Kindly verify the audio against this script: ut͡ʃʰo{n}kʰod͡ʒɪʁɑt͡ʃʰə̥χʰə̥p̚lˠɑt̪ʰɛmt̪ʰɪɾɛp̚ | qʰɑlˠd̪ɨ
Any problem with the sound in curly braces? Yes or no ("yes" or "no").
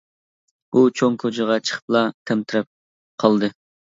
yes